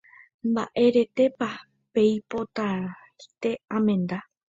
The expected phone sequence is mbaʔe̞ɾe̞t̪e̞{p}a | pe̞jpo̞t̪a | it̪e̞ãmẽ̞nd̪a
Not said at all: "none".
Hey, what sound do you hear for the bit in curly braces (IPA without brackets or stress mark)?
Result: p